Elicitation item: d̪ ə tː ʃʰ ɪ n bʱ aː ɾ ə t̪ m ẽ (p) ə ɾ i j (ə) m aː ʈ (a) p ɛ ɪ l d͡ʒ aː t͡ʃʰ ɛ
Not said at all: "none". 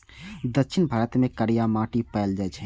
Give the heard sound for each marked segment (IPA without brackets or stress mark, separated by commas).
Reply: k, a, i